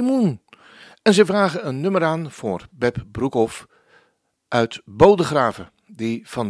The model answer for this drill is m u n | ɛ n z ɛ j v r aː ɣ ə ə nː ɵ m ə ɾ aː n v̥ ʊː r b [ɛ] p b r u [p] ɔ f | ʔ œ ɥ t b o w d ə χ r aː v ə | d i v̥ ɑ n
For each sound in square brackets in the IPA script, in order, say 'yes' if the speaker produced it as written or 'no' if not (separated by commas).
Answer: yes, no